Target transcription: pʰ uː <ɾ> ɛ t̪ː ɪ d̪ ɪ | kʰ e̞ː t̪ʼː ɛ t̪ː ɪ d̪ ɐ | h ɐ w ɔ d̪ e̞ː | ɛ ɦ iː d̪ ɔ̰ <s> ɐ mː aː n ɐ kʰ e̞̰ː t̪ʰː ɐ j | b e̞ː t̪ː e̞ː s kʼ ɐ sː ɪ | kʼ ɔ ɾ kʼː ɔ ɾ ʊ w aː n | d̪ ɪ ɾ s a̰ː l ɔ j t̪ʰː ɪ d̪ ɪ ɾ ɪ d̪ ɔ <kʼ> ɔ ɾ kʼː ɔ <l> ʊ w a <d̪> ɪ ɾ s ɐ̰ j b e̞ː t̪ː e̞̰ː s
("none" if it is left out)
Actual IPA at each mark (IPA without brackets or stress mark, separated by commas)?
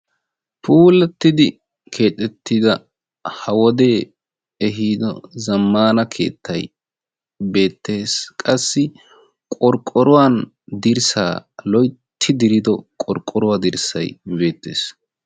l, z, kʼ, ɾ, d̪